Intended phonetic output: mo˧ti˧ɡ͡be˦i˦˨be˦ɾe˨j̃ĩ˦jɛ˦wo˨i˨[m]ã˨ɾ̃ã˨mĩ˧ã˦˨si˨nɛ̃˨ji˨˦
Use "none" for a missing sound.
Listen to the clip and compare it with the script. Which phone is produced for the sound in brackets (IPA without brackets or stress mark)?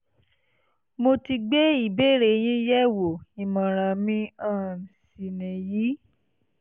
m